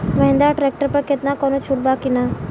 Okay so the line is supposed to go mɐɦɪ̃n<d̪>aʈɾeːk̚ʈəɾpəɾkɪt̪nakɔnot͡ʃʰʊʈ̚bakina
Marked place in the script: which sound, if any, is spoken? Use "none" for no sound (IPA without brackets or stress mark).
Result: d̪